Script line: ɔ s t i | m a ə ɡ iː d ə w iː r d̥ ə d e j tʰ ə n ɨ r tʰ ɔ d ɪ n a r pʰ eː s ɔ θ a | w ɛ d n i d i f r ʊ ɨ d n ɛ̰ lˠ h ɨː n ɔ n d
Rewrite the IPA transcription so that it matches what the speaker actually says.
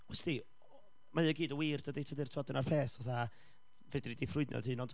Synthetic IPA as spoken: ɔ s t i | m a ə ɡ iː d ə w iː r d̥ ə d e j tʰ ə d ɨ r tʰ ɔ d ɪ n a r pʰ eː s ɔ θ a | v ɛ d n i d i f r ʊ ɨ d n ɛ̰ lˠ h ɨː n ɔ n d